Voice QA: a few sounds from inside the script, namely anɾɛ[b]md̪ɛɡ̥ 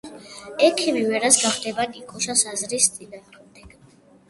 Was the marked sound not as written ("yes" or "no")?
yes